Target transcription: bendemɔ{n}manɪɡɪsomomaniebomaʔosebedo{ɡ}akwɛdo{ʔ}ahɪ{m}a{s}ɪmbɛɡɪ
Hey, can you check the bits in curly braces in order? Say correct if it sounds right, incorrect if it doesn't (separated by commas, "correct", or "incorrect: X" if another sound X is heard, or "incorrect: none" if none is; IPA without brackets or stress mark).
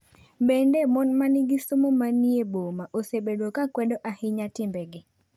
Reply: correct, incorrect: k, correct, incorrect: ɲ, incorrect: t